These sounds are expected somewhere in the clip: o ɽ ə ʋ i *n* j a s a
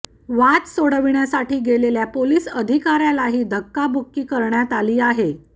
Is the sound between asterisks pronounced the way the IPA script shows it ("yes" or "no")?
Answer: no